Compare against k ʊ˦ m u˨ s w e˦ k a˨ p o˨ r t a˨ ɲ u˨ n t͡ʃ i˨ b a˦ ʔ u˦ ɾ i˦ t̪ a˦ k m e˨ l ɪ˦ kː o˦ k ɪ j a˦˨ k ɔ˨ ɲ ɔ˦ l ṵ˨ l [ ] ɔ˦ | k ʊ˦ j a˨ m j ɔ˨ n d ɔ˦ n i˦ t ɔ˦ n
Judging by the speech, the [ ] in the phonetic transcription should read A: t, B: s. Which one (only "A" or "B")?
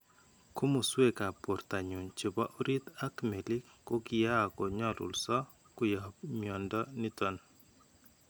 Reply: B